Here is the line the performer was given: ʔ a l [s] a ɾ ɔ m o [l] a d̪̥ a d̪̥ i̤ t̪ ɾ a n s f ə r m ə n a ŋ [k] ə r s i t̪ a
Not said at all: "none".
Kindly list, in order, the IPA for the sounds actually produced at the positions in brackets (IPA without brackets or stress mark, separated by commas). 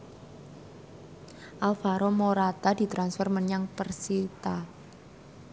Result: f, ɾ, p